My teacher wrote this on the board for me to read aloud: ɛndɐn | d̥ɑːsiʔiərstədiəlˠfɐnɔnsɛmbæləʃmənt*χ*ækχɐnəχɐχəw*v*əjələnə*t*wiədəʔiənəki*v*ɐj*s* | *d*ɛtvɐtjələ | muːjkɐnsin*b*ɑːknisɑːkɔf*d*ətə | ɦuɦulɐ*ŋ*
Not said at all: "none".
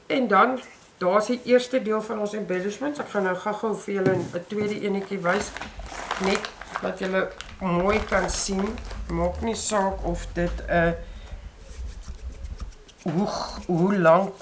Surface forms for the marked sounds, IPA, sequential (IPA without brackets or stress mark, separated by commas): s, f, t, v, s, n, m, d, ŋ